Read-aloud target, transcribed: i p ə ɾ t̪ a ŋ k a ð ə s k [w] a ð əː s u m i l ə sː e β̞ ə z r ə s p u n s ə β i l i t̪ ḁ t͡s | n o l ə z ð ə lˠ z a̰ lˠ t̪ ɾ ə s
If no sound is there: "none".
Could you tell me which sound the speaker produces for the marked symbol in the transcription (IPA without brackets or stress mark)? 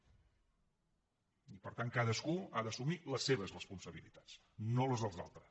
u